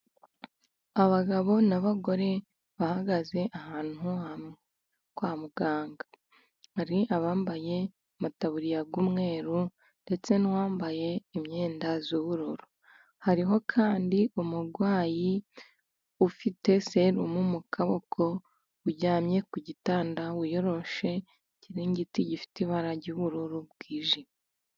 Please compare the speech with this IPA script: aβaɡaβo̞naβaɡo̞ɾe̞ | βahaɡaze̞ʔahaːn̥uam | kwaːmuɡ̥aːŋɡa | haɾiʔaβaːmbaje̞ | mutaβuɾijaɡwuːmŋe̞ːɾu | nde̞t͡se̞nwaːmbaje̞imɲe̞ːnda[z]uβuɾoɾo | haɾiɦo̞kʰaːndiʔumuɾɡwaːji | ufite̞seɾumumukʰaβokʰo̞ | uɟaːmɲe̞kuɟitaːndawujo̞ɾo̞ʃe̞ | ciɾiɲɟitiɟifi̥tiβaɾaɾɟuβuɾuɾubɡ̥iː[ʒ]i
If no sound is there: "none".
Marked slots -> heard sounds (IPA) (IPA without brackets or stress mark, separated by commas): z, ʒ